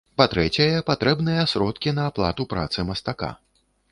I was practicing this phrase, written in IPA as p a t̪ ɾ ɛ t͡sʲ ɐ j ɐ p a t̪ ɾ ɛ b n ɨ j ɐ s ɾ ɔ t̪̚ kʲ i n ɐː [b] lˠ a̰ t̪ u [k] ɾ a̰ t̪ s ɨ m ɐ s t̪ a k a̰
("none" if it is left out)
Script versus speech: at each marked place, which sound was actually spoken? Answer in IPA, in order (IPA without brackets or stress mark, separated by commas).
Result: p, p